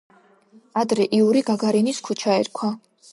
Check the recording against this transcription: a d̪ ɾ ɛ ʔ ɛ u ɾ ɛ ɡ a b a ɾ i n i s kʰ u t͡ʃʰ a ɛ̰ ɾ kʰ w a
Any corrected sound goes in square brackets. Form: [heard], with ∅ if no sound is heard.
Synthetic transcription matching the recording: a d̪ ɾ ɛ ʔ [i] u ɾ [i] ɡ a [ɡ] a ɾ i n i s kʰ u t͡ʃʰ a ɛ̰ ɾ kʰ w a